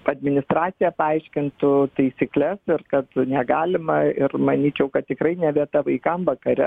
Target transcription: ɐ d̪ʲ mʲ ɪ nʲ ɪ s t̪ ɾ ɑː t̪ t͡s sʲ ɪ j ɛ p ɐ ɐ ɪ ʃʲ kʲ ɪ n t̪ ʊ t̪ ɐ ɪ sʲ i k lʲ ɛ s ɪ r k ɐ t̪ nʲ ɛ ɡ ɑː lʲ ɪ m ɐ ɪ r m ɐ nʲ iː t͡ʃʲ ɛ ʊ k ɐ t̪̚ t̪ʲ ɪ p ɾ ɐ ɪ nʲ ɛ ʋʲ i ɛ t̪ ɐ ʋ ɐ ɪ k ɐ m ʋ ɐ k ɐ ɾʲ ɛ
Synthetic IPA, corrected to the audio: ɐ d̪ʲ mʲ ɪ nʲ ɪ s t̪ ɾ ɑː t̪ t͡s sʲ ɪ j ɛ p ɐ ɐ ɪ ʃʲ kʲ ɪ n t̪ ʊ t̪ ɐ ɪ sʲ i k lʲ ɛ s ɪ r k ɐ t̪ nʲ ɛ ɡ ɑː lʲ ɪ m ɐ ɪ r m ɐ nʲ iː t͡ʃʲ ɛ ʊ k ɐ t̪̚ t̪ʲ ɪ k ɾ ɐ ɪ nʲ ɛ ʋʲ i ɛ t̪ ɐ ʋ ɐ ɪ k ɐ m ʋ ɐ k ɐ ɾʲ ɛ